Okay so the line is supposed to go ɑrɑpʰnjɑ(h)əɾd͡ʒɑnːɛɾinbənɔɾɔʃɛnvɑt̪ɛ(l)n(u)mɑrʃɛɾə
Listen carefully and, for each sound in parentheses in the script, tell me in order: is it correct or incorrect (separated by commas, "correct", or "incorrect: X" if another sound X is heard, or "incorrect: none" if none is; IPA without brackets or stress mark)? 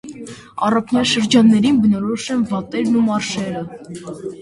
incorrect: ʃ, incorrect: ɾ, correct